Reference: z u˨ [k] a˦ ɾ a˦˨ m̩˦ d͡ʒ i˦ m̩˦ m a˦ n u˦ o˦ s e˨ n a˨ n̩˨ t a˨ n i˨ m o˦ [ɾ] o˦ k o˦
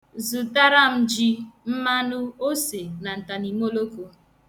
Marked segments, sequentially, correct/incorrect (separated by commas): incorrect, incorrect